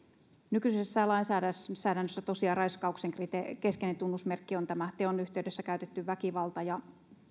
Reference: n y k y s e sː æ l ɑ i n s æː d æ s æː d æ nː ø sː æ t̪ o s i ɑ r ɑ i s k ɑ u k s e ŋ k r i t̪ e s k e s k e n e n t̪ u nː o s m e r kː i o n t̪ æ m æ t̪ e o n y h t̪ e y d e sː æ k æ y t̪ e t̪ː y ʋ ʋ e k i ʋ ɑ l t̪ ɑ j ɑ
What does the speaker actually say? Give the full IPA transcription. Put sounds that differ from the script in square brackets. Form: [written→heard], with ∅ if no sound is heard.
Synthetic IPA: n y k y s e sː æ l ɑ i n s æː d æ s æː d æ nː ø sː æ t̪ o s i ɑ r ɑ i s k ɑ u k s e ŋ k r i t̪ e [s→∅] k e s k e n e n t̪ u nː [o→u] s m e r kː i o n t̪ æ m æ t̪ e o n y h t̪ e y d e sː æ k æ y t̪ e t̪ː y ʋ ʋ [e→æ] k i ʋ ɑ l t̪ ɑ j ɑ